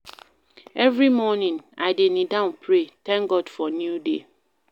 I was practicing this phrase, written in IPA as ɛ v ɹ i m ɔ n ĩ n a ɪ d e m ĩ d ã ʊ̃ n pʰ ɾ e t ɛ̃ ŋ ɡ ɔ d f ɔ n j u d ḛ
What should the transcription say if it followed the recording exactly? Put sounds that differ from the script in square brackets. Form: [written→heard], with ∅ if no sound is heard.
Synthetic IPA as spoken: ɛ v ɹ i m ɔ n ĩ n a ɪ d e [m→n] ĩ d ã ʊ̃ n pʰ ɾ e t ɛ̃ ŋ ɡ ɔ d f ɔ n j u d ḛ